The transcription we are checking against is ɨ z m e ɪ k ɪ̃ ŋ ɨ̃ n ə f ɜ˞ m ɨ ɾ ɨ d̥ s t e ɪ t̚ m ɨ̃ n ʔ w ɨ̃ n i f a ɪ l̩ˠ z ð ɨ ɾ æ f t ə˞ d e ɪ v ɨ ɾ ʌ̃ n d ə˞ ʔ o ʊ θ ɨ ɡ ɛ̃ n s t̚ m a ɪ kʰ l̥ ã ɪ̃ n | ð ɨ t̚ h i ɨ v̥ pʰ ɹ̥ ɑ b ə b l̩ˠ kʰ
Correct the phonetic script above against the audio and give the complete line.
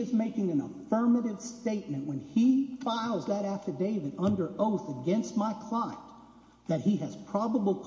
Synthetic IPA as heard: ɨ z m e ɪ k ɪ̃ ŋ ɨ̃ n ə f ɜ˞ m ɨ ɾ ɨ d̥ s t e ɪ t̚ m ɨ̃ n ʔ w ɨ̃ n i f a ɪ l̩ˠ z ð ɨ ɾ æ f t ə˞ d e ɪ v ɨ ɾ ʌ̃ n d ə˞ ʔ o ʊ θ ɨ ɡ ɛ̃ n s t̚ m a ɪ kʰ l̥ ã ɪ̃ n | ð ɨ t̚ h i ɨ z̥ pʰ ɹ̥ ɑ b ə b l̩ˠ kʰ